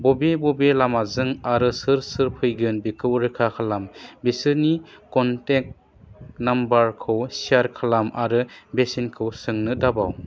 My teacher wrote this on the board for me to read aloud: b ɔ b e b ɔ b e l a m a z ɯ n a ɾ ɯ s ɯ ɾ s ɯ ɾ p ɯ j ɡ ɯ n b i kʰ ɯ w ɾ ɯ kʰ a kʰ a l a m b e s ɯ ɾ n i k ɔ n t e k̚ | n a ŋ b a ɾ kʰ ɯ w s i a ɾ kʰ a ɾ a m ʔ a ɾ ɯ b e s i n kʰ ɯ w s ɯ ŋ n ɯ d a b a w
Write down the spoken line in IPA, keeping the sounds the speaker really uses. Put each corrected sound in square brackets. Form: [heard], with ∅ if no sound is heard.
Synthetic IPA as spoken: b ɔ b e b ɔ b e l a m a z ɯ [ŋ] a ɾ ɯ s ɯ ɾ s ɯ ɾ [pʰ] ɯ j ɡ ɯ n b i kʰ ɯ w ɾ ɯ kʰ a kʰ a l a m b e s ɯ ɾ n i k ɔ n t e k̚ | n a [m] b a ɾ kʰ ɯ w s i a ɾ kʰ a [l] a m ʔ a ɾ ɯ b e s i n kʰ ɯ w s ɯ ŋ n ɯ d a b a w